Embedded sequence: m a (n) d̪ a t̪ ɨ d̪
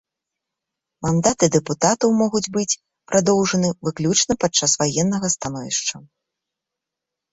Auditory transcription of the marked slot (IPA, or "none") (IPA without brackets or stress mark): n